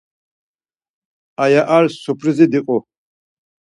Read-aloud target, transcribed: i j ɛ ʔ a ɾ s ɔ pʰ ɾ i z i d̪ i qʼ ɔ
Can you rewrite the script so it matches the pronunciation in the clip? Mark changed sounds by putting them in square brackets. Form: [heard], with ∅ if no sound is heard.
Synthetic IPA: [a] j [a] ʔ a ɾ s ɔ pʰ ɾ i z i d̪ i qʼ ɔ